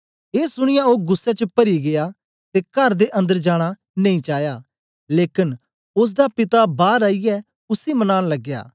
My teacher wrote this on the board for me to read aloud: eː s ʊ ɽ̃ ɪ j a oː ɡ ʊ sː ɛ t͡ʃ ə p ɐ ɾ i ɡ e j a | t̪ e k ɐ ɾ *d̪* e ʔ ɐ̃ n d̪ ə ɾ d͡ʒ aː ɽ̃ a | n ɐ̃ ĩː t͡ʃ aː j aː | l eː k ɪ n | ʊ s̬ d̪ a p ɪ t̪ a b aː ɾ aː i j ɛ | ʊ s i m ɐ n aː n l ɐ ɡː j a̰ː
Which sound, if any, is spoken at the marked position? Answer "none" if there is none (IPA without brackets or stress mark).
d̪